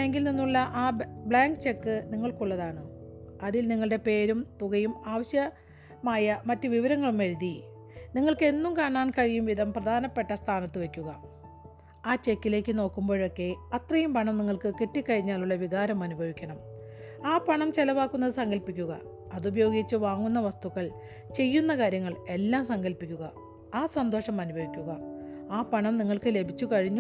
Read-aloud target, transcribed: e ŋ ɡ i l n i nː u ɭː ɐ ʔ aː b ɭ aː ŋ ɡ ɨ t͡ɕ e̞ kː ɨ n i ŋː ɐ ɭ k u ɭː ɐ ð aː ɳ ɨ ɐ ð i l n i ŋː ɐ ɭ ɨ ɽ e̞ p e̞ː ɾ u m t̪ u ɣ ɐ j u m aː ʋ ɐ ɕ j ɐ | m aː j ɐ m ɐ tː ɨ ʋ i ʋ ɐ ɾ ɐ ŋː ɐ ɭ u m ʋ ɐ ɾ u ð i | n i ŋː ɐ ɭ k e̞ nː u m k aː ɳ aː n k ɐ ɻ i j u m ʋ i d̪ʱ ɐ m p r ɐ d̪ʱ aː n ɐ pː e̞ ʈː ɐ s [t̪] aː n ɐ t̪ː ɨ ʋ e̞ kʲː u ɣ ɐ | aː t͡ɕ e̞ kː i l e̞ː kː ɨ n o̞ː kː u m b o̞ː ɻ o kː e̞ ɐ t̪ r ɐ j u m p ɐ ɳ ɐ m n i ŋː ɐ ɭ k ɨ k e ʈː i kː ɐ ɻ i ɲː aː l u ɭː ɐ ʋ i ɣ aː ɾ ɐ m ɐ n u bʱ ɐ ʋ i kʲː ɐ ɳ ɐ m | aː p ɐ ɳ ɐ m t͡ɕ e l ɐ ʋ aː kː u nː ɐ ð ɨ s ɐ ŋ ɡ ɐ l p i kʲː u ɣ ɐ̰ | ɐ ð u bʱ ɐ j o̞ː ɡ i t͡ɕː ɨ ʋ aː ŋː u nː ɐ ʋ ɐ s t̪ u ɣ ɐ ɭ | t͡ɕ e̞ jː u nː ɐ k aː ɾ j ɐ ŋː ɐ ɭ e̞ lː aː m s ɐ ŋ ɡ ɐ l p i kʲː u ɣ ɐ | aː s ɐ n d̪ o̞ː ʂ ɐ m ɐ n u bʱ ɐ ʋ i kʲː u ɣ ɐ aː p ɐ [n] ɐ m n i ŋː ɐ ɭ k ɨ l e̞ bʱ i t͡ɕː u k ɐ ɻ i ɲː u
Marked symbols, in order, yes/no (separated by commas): no, no